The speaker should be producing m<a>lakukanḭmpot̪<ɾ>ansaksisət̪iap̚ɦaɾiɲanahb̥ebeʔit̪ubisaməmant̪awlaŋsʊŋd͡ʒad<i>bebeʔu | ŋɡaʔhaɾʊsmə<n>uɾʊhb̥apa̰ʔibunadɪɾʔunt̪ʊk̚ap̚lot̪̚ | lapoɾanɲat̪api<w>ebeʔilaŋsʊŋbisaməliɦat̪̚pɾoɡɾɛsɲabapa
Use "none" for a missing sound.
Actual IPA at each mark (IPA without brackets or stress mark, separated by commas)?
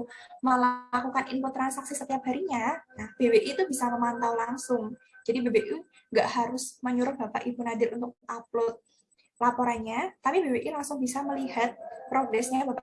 ə, ɾ, i, ɲ, b